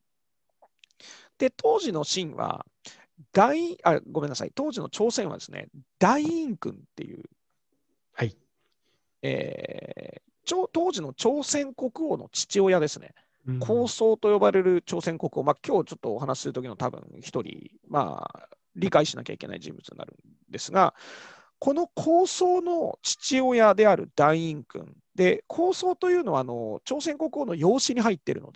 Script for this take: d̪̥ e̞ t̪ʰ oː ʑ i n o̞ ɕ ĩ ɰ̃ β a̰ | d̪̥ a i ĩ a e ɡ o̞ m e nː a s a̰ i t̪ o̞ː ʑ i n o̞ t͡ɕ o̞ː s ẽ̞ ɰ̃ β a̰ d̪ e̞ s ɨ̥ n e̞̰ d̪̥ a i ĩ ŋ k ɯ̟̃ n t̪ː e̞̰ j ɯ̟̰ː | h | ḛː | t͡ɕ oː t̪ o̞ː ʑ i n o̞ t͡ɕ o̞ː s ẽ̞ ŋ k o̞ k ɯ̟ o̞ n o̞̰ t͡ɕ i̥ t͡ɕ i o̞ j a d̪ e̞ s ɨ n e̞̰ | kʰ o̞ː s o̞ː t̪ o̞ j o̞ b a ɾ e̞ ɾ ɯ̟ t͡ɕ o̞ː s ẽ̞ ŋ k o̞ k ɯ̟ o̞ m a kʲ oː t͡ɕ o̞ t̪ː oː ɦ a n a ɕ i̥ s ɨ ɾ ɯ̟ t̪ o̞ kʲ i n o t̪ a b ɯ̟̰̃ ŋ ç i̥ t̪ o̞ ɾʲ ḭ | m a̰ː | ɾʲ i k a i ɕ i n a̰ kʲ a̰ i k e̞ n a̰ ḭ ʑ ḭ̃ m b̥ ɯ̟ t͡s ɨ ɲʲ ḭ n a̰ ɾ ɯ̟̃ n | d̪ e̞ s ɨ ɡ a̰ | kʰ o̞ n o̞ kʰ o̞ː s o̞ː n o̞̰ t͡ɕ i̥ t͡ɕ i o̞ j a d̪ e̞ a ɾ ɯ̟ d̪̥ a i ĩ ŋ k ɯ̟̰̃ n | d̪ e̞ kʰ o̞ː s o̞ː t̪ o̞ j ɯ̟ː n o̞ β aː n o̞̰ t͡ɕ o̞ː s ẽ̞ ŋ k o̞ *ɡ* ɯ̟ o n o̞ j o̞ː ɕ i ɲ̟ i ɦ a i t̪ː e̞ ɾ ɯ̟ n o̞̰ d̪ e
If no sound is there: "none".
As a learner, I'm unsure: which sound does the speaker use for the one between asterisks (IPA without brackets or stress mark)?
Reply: k